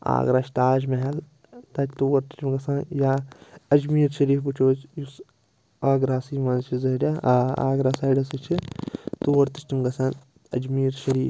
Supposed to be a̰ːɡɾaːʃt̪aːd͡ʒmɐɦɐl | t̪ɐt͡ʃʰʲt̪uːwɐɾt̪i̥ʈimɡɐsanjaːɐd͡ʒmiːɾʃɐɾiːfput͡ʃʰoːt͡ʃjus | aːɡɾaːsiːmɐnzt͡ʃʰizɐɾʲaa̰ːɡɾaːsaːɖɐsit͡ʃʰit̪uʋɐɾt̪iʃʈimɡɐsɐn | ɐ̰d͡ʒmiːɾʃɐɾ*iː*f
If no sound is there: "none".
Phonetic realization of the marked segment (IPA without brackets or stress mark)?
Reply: iː